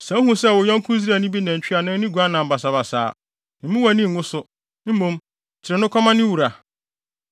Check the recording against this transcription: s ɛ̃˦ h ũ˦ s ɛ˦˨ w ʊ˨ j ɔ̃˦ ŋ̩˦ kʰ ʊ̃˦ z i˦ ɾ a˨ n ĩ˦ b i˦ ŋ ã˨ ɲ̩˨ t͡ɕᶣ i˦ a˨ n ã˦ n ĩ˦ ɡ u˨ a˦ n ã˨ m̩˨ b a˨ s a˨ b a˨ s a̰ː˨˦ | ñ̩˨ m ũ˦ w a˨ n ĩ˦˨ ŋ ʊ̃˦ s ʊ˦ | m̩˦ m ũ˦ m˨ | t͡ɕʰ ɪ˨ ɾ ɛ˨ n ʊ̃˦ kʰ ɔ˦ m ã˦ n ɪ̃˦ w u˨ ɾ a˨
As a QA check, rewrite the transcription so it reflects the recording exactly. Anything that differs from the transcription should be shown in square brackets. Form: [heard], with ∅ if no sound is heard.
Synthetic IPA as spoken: s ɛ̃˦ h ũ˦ s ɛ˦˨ w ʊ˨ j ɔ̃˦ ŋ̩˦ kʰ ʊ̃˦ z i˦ ɾ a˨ n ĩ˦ b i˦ [n] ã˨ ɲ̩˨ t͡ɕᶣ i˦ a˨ n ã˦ n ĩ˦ ɡ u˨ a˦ n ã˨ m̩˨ b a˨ s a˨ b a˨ s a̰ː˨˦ | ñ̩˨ m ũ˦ w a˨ n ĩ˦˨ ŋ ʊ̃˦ s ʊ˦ | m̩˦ m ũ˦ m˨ | t͡ɕʰ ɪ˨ ɾ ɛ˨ n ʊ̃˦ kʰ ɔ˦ m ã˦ n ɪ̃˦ w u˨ ɾ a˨

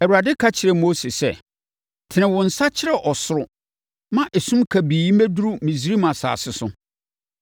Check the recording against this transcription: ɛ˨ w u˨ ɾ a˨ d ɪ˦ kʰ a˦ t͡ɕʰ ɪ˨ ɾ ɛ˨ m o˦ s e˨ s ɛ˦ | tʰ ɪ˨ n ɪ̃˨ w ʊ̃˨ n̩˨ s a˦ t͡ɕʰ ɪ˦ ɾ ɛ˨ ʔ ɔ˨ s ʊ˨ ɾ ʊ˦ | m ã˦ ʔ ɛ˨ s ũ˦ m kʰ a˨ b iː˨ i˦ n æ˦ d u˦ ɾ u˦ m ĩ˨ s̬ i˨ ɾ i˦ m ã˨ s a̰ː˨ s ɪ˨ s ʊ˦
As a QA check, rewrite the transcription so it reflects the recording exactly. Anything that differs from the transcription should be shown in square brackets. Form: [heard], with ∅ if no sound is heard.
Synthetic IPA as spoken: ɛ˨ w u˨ ɾ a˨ d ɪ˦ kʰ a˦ t͡ɕʰ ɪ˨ ɾ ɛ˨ m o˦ s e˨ s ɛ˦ | tʰ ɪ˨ n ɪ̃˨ w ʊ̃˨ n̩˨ s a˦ t͡ɕʰ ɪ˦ ɾ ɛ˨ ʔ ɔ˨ s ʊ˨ ɾ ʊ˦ | m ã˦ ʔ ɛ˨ s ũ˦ m kʰ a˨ b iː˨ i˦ [m] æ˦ d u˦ ɾ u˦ m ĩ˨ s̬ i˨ ɾ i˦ m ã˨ s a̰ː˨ s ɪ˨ s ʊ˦

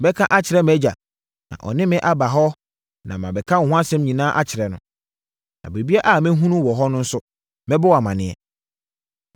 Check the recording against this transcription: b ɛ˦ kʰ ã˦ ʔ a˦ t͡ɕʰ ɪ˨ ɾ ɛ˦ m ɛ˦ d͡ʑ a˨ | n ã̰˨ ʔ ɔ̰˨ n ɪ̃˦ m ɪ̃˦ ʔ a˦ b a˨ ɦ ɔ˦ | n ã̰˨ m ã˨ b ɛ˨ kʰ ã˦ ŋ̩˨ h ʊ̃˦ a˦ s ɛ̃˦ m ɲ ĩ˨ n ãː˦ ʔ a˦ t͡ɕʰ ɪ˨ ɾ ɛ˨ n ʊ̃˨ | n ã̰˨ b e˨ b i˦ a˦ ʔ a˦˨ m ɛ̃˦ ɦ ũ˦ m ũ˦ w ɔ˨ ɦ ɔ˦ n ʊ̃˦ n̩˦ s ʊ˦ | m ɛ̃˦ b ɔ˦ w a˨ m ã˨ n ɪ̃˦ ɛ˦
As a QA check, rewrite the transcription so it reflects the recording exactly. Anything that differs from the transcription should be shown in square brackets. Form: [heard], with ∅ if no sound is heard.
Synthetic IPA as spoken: b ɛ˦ kʰ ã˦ ʔ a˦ t͡ɕʰ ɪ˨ ɾ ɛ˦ m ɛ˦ d͡ʑ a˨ | n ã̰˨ ʔ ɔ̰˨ n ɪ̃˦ m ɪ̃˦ ʔ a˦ b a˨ ɦ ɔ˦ | n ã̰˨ m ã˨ b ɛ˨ kʰ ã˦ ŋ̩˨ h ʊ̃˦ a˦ s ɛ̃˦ m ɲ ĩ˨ n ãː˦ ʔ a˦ t͡ɕʰ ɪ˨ ɾ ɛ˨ n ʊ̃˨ | n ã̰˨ b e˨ b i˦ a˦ ʔ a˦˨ m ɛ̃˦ ɦ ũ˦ [n] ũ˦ w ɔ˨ ɦ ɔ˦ n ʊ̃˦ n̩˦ s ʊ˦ | m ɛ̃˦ b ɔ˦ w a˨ m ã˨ n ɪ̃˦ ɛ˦

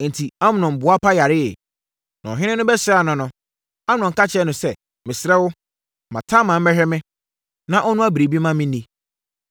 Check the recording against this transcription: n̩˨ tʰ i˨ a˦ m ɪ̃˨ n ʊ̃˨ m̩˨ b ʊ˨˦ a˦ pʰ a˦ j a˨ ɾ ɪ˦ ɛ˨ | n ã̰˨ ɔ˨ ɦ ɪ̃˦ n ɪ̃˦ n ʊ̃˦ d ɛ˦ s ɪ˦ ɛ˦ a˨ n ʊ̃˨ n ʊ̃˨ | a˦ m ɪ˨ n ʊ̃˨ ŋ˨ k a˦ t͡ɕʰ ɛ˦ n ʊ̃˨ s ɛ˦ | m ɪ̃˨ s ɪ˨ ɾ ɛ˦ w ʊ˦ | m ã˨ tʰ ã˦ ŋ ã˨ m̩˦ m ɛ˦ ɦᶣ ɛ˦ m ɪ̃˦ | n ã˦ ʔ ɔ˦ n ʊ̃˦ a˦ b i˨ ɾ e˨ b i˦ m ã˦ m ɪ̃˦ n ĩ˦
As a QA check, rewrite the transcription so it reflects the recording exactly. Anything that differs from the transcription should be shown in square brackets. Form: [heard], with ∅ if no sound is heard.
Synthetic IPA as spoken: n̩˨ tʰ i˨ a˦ m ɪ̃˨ n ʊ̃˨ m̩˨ b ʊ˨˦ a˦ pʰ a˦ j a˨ ɾ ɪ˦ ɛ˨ | n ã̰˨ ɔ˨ ɦ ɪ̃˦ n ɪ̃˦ n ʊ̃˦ [b] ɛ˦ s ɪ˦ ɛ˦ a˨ n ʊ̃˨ n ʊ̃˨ | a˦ m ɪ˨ n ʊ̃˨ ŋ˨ k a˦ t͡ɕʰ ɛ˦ n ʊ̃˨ s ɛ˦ | m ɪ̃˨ s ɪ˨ ɾ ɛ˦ w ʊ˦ | m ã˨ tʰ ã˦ [m] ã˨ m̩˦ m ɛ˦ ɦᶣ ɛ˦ m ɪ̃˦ | n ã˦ ʔ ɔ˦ n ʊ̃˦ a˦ b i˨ ɾ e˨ b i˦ m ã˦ m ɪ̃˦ n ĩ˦

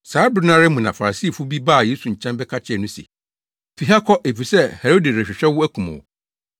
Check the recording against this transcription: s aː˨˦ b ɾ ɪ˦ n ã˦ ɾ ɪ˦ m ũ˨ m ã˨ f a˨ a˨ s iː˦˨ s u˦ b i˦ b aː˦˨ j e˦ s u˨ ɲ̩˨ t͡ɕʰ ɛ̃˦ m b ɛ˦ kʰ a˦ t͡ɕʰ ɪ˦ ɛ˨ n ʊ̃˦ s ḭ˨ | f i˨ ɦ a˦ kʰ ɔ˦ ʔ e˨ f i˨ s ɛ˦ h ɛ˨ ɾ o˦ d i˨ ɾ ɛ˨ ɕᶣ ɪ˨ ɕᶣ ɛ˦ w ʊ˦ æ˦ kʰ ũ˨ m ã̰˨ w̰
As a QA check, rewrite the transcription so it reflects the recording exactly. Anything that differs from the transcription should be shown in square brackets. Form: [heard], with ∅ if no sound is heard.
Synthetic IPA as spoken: s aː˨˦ b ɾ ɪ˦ n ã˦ ɾ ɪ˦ m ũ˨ [n] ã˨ f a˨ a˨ s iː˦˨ [f] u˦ b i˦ b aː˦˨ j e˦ s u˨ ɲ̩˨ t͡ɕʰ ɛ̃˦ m b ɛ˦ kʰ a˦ t͡ɕʰ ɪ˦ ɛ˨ n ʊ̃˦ s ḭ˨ | f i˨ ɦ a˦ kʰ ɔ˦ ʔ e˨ f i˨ s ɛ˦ h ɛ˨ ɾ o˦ d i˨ ɾ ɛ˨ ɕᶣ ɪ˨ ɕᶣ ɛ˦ w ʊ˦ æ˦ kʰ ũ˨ m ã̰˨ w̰

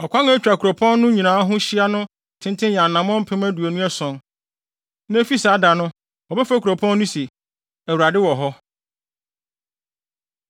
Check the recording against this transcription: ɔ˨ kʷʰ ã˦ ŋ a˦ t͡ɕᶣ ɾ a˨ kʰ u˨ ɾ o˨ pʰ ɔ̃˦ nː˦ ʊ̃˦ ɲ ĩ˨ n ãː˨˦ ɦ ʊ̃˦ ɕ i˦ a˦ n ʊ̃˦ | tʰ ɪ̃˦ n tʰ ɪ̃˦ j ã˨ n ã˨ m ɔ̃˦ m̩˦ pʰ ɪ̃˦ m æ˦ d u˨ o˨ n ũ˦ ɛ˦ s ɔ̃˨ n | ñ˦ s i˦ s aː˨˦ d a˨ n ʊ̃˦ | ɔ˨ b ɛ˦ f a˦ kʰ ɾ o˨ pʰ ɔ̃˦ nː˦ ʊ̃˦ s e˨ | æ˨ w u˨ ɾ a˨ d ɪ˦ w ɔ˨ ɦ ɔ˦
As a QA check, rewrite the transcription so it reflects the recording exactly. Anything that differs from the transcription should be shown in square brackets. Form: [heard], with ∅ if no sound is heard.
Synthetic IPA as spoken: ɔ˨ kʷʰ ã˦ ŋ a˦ t͡ɕᶣ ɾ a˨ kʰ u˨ ɾ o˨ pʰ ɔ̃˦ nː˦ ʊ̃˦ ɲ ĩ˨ n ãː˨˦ ɦ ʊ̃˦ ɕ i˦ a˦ n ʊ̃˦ | tʰ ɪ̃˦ n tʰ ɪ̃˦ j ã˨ n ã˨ m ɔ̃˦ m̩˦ pʰ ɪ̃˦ m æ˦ d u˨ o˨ n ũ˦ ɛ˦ s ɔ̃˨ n | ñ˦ [f] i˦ s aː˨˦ d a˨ n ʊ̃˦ | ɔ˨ b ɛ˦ f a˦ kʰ ɾ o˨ pʰ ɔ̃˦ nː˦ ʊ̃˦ s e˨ | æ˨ w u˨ ɾ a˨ d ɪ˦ w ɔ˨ ɦ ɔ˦

